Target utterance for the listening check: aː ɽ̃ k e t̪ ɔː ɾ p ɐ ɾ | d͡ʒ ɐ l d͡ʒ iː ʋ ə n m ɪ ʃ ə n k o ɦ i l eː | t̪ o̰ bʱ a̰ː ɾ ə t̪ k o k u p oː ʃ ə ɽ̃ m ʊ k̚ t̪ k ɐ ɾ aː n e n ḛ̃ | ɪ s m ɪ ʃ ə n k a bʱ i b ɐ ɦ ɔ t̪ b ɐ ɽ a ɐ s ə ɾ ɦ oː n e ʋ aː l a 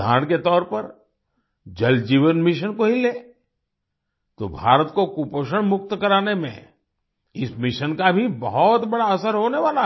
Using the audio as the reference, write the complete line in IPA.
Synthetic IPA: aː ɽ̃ k e t̪ ɔː ɾ p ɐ ɾ | d͡ʒ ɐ l d͡ʒ iː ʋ ə n m ɪ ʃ ə n k o ɦ i l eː | t̪ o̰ bʱ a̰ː ɾ ə t̪ k o k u p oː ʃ ə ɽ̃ m ʊ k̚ t̪ k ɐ ɾ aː n e m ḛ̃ | ɪ s m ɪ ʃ ə n k a bʱ i b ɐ ɦ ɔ t̪ b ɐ ɽ a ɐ s ə ɾ ɦ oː n e ʋ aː l a